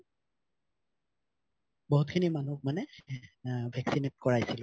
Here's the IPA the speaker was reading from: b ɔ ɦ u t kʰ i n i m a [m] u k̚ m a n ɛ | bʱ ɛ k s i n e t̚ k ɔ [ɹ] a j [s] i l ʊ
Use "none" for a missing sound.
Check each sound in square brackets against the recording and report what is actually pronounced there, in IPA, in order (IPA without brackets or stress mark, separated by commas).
n, ɹ, s